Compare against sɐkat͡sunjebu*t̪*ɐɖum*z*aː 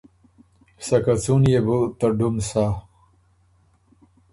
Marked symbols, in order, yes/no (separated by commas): yes, no